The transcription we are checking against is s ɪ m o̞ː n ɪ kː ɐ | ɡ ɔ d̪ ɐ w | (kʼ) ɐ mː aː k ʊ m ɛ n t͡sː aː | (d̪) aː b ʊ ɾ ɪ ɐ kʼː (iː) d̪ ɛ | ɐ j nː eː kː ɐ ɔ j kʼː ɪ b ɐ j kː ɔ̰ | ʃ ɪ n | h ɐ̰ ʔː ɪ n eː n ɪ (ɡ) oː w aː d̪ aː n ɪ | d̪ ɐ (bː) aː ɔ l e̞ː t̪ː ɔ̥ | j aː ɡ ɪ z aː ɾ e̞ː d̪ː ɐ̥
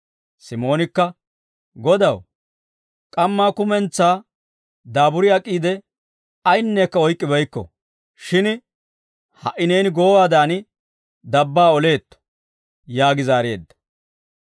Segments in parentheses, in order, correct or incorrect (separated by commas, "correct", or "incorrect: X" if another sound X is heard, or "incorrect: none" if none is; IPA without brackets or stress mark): correct, correct, correct, correct, correct